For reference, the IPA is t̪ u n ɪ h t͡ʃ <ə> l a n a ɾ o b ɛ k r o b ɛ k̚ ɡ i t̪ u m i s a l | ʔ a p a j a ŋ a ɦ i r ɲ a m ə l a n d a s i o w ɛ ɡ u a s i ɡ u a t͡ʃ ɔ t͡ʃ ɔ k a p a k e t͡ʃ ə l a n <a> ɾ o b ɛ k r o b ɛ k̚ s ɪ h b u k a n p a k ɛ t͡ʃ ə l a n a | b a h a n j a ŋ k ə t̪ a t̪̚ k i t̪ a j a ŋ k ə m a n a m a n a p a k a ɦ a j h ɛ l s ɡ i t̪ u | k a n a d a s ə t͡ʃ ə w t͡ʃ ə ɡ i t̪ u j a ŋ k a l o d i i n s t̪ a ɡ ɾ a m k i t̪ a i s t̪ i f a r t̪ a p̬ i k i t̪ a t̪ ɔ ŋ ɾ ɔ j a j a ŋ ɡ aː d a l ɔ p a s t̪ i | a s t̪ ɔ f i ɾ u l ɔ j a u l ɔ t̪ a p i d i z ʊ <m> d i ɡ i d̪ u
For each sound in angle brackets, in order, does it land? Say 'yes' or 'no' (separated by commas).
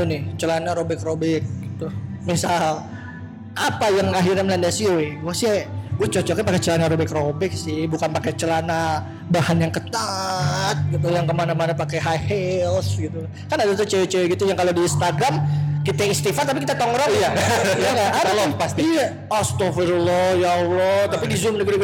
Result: yes, yes, yes